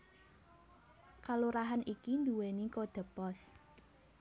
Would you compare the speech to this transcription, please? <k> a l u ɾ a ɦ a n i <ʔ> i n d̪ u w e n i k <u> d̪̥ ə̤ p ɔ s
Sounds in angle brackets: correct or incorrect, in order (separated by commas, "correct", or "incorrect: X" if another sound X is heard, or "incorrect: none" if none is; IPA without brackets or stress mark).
correct, incorrect: k, incorrect: o